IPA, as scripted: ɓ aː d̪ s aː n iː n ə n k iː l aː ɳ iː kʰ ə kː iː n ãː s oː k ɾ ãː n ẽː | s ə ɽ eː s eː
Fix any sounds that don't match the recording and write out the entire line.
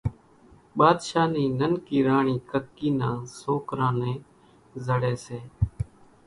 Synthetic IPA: ɓ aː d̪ ʃ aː n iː n ə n k iː ɾ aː ɳ iː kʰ ə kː iː n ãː s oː k ɾ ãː n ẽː | z ə ɽ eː s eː